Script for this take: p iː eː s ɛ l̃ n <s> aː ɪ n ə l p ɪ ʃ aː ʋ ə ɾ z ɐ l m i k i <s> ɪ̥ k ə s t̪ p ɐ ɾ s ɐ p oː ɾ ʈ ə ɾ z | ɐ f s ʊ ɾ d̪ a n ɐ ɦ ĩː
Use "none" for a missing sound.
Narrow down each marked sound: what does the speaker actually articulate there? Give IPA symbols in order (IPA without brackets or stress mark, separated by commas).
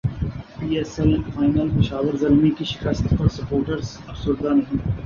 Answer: f, ʃ